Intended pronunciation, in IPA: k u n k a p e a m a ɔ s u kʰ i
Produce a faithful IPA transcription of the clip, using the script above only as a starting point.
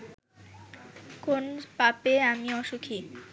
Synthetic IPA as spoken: k o n p a p e a m i ɔ ʃ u kʰ i

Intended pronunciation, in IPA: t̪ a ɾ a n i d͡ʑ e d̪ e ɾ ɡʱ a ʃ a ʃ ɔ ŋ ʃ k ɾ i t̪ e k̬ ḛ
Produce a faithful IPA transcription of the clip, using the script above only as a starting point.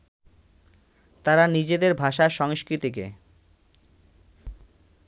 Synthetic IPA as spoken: t̪ a ɾ a n i d͡ʑ e d̪ e ɾ bʱ a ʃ a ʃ ɔ ŋ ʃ k ɾ i t̪ i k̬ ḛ

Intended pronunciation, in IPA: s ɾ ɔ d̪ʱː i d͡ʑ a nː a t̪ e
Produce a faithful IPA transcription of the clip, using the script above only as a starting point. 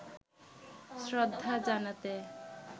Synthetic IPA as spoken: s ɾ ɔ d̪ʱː a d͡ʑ a n a t̪ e

